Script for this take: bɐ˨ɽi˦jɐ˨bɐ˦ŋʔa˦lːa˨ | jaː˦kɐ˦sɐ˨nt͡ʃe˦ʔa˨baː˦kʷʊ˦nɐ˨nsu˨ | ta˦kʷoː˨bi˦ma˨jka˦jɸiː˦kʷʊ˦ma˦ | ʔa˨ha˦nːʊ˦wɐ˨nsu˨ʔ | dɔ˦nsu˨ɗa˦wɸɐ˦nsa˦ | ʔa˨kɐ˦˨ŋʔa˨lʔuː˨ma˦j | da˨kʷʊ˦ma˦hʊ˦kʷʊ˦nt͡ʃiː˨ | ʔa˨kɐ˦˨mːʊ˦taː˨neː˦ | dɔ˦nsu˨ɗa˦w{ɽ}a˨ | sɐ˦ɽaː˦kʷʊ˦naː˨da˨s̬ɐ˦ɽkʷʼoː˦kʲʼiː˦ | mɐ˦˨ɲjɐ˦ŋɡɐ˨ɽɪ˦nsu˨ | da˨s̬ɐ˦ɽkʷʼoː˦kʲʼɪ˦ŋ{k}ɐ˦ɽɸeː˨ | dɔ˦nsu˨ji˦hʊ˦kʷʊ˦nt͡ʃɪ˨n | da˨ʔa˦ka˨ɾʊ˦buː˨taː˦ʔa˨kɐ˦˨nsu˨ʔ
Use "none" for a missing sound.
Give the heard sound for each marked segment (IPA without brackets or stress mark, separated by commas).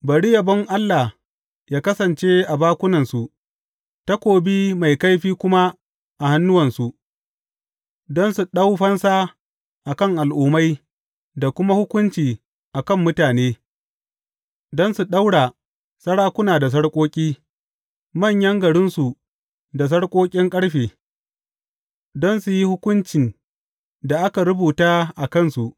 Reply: ɽ, kʼ